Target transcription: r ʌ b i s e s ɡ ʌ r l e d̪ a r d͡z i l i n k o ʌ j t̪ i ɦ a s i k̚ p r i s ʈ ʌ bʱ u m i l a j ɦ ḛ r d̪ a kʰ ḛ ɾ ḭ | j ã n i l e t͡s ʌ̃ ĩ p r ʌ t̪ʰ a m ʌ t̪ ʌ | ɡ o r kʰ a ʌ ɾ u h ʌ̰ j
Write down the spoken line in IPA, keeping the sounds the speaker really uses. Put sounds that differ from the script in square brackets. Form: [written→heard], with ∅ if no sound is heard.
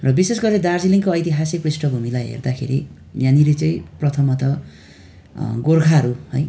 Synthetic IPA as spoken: r ʌ b i s e s ɡ ʌ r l e d̪ a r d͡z i l i [n→ŋ] k o ʌ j t̪ i ɦ a s i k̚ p r i s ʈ ʌ bʱ u m i l a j ɦ ḛ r d̪ a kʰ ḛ ɾ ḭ | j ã n i l e t͡s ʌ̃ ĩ p r ʌ t̪ʰ [a→ʌ] m ʌ t̪ ʌ | ɡ o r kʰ a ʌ ɾ u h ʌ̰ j